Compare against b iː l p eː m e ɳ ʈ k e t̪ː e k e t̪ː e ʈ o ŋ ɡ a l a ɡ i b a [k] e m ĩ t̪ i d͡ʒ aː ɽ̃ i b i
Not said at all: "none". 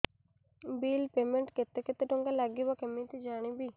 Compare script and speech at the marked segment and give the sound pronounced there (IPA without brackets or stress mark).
k